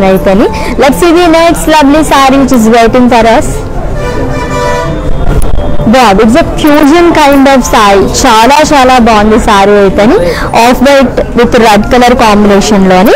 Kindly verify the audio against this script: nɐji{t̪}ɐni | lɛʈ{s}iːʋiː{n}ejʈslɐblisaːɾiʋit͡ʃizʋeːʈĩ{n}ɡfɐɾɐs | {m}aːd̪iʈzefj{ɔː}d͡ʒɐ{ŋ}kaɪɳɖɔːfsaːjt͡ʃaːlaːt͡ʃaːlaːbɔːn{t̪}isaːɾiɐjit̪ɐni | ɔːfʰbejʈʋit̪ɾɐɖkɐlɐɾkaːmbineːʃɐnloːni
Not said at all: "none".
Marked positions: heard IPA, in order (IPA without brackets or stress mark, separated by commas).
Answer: t̪, s, n, ŋ, b, uː, n, d̪